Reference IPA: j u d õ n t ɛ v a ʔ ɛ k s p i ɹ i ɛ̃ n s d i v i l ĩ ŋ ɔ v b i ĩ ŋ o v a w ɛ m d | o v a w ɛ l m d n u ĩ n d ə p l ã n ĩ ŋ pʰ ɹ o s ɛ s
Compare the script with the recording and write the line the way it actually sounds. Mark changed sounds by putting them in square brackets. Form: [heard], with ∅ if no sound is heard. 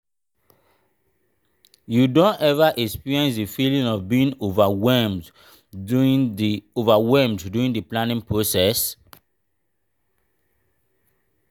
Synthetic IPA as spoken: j u d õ n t ɛ v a ʔ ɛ k s p i ɹ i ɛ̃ n s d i [f] i l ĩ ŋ ɔ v b i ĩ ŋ o v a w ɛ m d | o v a w ɛ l m d [d] u ĩ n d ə p l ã n ĩ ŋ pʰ ɹ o s ɛ s

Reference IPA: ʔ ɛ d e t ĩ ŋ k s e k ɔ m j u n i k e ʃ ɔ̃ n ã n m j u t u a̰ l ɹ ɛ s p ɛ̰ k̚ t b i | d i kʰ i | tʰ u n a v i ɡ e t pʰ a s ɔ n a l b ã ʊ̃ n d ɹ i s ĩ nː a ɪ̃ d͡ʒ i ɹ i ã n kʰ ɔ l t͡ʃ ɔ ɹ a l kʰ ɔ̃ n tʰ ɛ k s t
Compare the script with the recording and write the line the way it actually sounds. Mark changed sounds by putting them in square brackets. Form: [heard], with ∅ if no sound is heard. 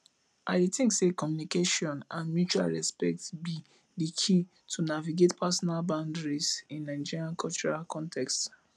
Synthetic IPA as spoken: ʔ [a] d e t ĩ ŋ k s e k ɔ m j u n i k e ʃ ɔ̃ n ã n m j u [t͡ʃ] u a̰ l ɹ ɛ s p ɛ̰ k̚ t b i | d i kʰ i | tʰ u n a v i ɡ e t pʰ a s ɔ n a l b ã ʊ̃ n d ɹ i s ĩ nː a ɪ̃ d͡ʒ i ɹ i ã n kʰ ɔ l t͡ʃ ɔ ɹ a l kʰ ɔ̃ n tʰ ɛ k s t

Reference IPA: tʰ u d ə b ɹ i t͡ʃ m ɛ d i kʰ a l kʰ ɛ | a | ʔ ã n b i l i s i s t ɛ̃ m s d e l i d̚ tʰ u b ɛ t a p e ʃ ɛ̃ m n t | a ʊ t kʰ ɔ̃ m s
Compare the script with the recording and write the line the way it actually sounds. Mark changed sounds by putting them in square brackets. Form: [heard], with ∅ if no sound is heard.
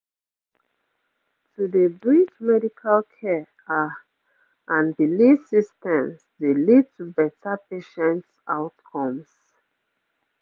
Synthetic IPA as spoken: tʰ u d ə b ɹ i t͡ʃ m ɛ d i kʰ a l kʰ ɛ | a | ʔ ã n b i l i s i s t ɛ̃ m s d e l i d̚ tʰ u b ɛ t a p e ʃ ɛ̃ [∅] n t | a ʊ t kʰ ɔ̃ m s

